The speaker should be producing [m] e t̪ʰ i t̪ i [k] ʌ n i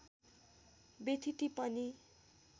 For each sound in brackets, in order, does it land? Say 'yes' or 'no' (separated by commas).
no, no